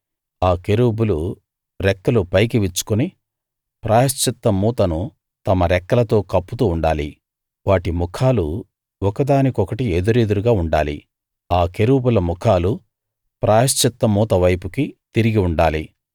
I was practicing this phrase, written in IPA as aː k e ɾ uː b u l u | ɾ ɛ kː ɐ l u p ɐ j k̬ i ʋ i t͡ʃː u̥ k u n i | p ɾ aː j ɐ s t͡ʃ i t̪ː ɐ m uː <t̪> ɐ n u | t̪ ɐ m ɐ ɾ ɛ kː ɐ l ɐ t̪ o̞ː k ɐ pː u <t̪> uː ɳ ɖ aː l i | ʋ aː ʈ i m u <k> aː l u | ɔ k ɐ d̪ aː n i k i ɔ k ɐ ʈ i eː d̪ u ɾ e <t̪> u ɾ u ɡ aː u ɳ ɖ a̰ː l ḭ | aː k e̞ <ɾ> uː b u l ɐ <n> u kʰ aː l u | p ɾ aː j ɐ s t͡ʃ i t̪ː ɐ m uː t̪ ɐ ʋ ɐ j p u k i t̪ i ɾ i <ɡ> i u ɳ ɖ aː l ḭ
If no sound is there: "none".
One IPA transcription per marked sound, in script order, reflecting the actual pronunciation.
t̪, t̪, kʰ, d̪, ɾ, m, ɡ

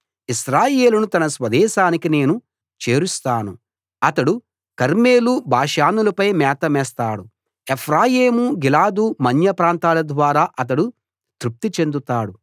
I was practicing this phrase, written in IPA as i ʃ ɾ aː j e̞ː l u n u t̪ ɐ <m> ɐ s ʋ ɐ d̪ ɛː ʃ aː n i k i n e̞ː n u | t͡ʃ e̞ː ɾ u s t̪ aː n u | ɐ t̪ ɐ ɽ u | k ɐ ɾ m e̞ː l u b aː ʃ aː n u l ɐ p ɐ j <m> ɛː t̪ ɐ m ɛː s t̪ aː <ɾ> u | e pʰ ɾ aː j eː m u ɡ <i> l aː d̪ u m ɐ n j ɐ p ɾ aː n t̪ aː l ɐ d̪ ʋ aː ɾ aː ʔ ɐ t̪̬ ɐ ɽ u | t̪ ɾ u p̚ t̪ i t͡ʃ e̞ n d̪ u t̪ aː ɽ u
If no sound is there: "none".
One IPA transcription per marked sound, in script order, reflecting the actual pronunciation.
n, m, ɽ, i

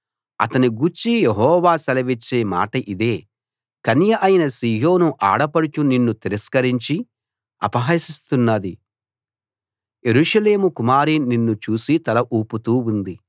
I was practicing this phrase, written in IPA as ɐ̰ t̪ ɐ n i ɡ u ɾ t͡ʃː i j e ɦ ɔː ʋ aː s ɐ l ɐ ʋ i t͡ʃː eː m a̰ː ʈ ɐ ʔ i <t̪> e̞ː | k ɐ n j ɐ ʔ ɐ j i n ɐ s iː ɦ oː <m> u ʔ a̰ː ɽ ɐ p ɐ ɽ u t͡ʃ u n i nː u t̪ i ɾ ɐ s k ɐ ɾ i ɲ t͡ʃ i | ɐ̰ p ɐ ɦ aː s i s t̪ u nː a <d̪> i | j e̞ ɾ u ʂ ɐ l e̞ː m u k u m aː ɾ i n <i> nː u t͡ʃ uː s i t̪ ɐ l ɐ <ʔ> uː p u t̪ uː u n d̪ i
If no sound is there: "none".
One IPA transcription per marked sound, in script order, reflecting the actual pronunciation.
d̪, n, d̪, i, ʔ

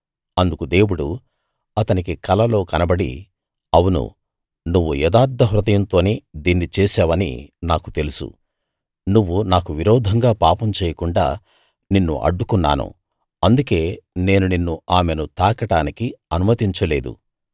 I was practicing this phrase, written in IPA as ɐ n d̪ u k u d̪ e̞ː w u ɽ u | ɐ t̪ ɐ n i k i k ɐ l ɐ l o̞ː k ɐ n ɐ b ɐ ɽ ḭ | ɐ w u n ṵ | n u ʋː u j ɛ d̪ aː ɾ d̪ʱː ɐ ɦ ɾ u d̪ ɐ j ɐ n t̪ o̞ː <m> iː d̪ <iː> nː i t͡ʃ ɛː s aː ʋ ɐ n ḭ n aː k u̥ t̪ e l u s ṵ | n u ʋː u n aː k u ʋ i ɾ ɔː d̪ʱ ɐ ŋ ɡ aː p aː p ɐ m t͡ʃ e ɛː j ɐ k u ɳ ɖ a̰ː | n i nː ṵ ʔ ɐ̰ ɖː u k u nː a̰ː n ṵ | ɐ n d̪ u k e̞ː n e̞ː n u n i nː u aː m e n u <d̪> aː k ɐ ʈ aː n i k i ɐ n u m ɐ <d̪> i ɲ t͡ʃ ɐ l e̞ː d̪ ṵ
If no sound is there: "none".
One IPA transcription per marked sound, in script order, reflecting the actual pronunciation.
n, iː, t̪, t̪

